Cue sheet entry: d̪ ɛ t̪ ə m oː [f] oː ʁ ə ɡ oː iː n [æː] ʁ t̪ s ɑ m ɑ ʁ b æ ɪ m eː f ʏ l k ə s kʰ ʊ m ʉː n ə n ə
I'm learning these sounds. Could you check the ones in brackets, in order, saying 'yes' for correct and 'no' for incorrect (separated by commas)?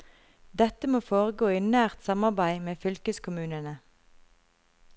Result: yes, yes